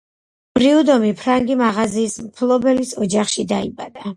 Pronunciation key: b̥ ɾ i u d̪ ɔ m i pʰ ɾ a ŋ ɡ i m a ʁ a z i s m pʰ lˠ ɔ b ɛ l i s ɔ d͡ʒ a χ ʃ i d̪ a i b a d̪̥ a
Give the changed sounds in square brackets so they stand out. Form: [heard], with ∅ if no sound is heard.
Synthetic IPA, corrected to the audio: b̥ ɾ i u d̪ ɔ m i pʰ ɾ a ŋ ɡ i m a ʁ a z [iː] s m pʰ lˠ ɔ b ɛ l i s ɔ d͡ʒ a χ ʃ i d̪ a i b a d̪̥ a